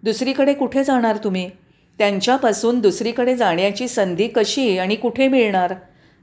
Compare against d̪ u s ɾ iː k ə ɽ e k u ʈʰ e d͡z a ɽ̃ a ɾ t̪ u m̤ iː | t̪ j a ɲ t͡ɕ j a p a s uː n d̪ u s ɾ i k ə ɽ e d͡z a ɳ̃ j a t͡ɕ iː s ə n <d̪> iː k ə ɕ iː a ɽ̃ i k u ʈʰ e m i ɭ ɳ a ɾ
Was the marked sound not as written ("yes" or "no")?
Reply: no